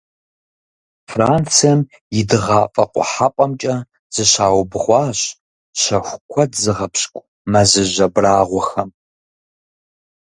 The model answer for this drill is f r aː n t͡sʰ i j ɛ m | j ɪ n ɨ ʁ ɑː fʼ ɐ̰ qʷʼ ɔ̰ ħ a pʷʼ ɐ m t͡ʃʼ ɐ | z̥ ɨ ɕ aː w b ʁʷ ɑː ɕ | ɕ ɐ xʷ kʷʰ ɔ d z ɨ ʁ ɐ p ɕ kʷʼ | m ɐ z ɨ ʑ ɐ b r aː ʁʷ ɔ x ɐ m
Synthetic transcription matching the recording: f r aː n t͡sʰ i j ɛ m | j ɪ d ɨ ʁ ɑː fʼ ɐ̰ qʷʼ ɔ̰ ħ a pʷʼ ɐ m t͡ʃʼ ɐ | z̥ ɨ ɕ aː w b ʁʷ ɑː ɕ | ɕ ɐ xʷ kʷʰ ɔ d z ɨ ʁ ɐ p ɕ kʷʼ | m ɐ z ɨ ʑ ɐ b r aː ʁʷ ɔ x ɐ m